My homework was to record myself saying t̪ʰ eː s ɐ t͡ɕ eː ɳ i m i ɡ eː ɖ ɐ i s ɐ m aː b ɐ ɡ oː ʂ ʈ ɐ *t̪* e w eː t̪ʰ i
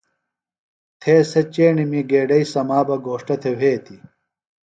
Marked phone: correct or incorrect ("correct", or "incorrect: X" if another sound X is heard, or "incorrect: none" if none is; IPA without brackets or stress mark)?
incorrect: t̪ʰ